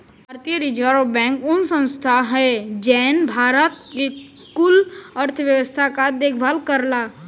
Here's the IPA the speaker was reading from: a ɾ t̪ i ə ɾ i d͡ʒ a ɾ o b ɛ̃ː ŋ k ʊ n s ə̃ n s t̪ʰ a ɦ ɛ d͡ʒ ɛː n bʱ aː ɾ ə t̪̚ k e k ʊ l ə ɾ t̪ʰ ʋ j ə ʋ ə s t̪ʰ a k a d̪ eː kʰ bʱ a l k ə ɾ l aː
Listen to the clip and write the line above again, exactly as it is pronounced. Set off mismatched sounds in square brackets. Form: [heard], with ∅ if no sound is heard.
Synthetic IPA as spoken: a ɾ t̪ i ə ɾ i d͡ʒ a ɾ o b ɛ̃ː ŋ k ʊ n s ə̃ n s t̪ʰ a ɦ ɛ d͡ʒ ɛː n bʱ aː ɾ ə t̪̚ k e k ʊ l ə ɾ t̪ʰ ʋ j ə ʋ ə s t̪ʰ a k a d̪ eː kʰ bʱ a l k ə ɾ l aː